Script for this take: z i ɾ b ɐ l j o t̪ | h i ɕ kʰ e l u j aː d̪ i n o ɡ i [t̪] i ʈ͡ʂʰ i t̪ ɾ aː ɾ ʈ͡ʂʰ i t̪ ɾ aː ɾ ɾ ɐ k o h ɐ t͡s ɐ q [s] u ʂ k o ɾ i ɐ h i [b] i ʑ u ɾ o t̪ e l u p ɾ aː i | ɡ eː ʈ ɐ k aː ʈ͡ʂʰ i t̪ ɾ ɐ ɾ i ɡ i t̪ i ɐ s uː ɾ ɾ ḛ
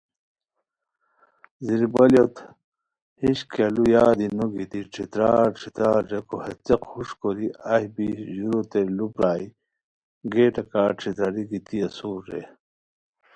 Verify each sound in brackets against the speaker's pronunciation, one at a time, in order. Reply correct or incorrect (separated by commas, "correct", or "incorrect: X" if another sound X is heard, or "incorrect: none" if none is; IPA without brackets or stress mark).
correct, incorrect: h, correct